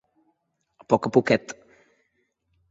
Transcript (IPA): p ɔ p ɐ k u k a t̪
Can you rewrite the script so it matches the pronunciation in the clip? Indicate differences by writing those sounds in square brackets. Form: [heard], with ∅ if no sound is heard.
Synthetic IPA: p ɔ [k] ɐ [p] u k [ɛ] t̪